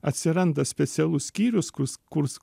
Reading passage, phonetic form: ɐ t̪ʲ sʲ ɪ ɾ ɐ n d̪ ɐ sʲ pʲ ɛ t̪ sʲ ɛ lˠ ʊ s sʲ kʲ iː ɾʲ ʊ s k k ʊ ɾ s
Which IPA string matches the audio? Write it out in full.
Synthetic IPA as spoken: ɐ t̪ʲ sʲ ɪ ɾ ɐ n d̪ ɐ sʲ pʲ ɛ t̪ sʲ ɛ lˠ ʊ s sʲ kʲ iː ɾʲ ʊ s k k ʊ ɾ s